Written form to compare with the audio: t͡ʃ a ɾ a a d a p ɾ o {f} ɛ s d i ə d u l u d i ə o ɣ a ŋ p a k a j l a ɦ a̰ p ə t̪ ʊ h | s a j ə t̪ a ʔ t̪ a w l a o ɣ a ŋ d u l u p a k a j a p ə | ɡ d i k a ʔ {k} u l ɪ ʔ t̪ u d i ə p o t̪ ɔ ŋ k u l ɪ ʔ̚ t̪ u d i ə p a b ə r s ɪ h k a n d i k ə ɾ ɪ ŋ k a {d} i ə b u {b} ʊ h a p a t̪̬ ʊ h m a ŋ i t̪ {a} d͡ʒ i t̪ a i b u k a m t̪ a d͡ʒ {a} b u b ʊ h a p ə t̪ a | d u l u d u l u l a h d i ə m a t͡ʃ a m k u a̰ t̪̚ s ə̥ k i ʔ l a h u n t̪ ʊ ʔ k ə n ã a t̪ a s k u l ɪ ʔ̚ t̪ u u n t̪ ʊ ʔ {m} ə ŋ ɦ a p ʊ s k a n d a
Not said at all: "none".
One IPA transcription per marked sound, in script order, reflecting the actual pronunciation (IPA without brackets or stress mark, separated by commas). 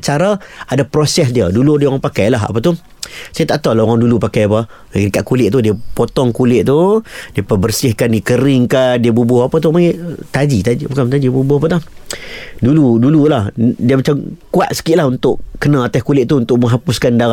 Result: s, k, d, b, a, i, m